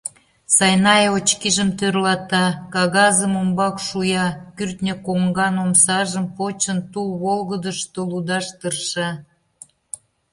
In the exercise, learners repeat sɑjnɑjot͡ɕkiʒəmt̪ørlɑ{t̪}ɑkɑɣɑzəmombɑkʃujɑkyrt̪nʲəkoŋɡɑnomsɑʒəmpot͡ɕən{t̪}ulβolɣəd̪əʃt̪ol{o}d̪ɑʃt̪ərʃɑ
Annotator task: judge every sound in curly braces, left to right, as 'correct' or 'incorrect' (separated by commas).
correct, correct, incorrect